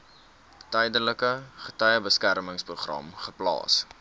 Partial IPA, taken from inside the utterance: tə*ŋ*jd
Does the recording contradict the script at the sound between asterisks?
yes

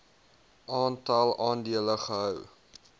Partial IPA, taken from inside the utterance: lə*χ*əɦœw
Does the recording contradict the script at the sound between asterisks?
no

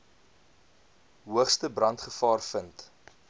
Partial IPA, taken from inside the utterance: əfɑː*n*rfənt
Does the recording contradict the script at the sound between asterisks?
yes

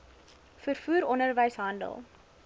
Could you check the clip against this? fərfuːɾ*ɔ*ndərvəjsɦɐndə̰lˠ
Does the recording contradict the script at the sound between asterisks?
no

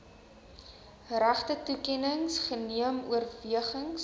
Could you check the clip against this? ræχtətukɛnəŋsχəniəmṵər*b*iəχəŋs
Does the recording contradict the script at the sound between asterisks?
yes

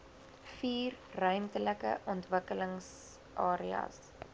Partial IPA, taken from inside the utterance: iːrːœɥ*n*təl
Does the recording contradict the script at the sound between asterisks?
yes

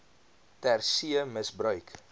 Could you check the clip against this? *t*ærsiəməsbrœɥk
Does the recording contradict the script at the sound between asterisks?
no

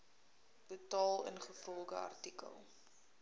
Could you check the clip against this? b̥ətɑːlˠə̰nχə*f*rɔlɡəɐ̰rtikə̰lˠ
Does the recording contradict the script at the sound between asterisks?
no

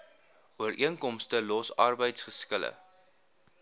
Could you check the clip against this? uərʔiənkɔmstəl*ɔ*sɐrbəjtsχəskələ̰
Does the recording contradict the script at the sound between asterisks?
no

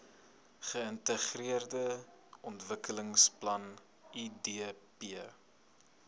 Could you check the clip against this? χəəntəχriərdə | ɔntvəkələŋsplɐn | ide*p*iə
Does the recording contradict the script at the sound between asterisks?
no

